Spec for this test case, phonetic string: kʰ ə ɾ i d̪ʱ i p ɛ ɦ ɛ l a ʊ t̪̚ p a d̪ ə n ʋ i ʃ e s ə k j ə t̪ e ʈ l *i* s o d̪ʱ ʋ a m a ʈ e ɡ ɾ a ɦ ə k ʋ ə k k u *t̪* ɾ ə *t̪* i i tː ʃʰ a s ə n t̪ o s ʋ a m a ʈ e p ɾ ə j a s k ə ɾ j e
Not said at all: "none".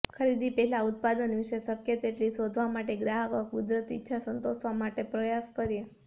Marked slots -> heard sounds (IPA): i, d̪, t̪

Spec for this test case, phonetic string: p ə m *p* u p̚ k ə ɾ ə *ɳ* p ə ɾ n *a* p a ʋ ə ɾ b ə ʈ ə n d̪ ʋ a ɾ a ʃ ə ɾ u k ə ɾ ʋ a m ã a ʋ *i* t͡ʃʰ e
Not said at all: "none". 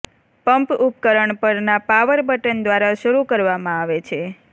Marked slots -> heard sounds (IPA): p, ɳ, a, e

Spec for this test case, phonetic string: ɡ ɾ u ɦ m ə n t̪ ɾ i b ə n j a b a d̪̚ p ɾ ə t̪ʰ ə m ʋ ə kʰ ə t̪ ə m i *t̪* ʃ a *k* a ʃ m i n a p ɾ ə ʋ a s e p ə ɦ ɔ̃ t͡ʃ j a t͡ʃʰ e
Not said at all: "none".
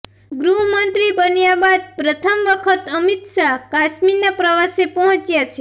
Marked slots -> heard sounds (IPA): t̪, k

